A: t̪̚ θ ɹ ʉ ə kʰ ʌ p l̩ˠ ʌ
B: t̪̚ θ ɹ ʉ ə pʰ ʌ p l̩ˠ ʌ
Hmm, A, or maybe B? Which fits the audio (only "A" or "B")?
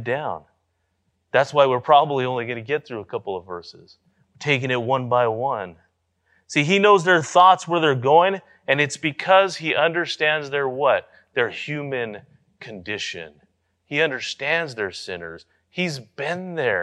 A